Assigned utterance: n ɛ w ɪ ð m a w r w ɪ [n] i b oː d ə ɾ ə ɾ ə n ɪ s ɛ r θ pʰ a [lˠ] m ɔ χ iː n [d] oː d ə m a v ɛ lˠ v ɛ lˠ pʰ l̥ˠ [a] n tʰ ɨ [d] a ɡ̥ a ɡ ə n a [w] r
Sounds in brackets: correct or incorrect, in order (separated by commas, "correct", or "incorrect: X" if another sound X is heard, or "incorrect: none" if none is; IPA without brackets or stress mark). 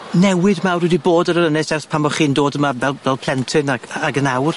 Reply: incorrect: d, incorrect: none, correct, incorrect: ɛ, incorrect: n, correct